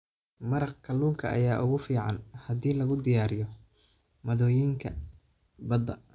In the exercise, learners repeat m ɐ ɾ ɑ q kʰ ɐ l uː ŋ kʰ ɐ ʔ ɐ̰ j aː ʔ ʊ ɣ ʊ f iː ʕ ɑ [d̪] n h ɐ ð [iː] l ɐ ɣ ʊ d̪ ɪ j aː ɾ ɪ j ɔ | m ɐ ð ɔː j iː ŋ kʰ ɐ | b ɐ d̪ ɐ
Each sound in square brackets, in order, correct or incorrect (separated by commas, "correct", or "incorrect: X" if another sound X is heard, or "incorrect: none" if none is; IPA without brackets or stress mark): incorrect: none, correct